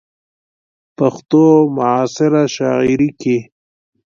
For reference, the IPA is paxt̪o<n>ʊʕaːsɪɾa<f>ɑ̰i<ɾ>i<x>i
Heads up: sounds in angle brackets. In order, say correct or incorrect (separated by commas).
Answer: incorrect, incorrect, correct, incorrect